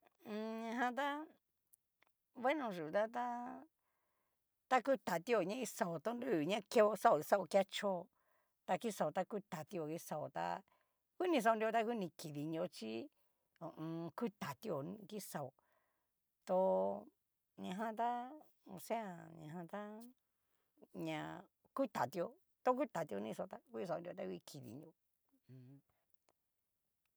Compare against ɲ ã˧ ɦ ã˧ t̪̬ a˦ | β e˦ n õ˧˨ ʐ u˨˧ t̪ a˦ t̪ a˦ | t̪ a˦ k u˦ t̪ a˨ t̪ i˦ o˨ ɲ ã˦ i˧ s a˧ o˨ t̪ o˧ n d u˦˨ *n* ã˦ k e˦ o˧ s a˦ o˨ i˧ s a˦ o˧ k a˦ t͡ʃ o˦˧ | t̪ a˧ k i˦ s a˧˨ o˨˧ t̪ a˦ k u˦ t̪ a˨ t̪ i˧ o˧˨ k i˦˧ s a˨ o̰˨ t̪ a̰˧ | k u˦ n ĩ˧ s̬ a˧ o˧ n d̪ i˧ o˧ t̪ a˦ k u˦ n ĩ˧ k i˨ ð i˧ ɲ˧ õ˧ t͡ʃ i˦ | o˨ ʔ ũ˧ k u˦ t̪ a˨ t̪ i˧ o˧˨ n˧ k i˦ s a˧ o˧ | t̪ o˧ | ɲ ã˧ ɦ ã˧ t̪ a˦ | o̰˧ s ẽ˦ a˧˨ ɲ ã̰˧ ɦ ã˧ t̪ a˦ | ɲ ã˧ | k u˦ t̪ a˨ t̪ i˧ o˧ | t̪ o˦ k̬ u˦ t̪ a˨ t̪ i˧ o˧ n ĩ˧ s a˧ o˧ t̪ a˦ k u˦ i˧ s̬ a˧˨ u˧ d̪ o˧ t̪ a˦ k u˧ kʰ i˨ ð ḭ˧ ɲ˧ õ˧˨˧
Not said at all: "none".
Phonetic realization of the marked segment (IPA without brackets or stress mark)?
ɲ